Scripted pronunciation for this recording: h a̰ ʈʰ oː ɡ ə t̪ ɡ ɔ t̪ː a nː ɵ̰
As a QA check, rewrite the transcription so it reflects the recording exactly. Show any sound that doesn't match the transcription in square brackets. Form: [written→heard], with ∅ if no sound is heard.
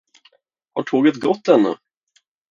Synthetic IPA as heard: h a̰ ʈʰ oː ɡ ə t̪ ɡ ɔ t̪ː [a→ɛ] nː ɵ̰